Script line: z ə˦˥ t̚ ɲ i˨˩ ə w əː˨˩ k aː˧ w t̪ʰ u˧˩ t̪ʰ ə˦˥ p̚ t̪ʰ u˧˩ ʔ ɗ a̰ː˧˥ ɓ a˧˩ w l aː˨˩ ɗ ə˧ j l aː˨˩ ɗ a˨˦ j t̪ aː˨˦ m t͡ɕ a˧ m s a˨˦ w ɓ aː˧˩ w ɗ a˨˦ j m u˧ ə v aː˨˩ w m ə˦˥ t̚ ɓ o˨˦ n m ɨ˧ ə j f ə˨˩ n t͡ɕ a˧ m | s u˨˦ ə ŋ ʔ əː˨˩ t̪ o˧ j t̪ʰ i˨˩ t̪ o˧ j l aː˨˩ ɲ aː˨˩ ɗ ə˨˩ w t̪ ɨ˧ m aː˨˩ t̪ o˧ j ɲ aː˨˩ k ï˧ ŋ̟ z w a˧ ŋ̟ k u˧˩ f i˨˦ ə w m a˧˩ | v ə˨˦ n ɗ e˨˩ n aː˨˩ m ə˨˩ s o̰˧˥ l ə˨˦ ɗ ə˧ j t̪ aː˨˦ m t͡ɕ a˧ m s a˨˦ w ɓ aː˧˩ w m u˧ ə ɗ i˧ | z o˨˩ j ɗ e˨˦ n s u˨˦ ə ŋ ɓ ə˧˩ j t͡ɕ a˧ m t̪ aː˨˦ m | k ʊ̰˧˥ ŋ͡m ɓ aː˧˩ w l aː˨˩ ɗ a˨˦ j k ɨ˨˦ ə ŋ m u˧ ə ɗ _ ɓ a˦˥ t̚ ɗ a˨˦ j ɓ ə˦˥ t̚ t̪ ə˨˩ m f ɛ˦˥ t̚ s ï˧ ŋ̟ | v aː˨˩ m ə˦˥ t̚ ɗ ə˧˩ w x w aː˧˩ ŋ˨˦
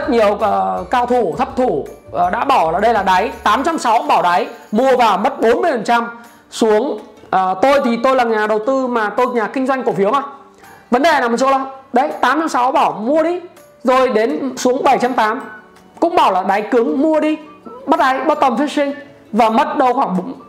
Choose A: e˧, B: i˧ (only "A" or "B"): B